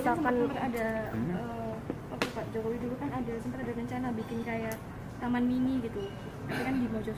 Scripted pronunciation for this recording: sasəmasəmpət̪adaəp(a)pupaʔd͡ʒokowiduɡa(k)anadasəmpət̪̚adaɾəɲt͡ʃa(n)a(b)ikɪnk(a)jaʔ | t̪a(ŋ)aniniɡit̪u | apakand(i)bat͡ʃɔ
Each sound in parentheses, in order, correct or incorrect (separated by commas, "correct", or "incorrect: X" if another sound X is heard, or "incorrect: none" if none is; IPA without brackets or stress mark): correct, correct, correct, correct, correct, incorrect: m, correct